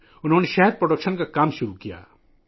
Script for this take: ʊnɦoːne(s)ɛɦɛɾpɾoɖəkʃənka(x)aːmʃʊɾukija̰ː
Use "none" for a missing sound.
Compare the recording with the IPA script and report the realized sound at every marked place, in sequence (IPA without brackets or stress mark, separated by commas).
ʃ, k